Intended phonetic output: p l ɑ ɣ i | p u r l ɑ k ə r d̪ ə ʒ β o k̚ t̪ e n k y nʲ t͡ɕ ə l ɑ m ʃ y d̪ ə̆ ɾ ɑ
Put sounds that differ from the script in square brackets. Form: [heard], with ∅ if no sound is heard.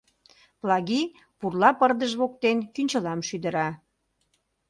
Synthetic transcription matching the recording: p l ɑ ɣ i | p u r l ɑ [p] ə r d̪ ə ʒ β o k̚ t̪ e n k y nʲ t͡ɕ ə l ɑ m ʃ y d̪ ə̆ ɾ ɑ